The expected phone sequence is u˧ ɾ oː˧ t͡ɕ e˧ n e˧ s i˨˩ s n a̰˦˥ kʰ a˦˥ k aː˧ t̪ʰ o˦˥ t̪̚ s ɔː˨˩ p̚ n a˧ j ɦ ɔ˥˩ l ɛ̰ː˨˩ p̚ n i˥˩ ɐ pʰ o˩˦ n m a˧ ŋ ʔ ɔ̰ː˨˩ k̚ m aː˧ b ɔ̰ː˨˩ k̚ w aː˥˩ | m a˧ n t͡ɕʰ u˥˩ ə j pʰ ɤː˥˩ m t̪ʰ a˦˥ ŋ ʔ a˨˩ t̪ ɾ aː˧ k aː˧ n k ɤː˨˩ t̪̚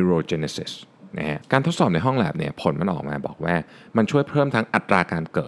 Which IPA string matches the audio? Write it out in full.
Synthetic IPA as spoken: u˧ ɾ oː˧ t͡ɕ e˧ n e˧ s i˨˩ s n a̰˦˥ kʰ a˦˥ k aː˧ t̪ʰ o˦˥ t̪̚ s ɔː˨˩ p̚ n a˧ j ɦ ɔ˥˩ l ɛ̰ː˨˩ p̚ n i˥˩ ɐ pʰ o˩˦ n m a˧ n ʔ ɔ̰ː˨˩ k̚ m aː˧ b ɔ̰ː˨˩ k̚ w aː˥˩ | m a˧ n t͡ɕʰ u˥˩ ə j pʰ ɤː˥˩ m t̪ʰ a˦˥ ŋ ʔ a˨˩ t̪ ɾ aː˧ k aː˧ n k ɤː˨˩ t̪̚